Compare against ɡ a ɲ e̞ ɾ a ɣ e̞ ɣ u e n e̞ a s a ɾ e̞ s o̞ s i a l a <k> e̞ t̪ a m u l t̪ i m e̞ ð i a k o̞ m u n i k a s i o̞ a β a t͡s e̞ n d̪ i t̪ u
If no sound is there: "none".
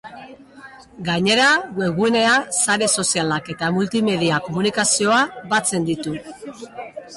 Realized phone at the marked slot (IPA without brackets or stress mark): k